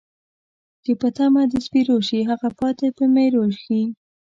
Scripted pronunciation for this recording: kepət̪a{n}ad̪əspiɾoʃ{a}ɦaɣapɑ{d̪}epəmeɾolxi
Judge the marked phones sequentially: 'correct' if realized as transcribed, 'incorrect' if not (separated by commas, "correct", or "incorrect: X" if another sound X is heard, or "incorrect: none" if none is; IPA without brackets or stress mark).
incorrect: m, incorrect: i, incorrect: t̪